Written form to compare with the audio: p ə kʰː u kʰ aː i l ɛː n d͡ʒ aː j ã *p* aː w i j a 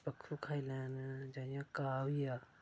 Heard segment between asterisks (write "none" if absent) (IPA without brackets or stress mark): k